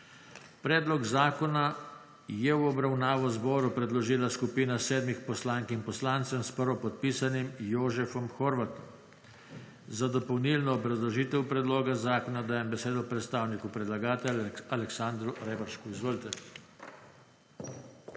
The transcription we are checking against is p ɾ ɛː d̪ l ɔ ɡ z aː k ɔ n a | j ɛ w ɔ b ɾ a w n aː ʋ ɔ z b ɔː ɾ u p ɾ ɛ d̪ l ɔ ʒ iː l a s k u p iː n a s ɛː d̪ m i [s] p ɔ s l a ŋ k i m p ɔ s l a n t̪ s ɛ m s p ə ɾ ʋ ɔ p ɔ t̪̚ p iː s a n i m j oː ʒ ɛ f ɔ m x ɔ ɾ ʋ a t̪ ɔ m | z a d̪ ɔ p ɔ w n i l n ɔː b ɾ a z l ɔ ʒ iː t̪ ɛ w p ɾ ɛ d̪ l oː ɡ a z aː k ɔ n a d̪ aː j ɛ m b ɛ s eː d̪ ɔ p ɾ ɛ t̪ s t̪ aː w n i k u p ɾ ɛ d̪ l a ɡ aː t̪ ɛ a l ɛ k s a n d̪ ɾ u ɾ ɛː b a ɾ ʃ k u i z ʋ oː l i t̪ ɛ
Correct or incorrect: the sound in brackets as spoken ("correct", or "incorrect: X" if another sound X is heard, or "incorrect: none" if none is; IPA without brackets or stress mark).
incorrect: x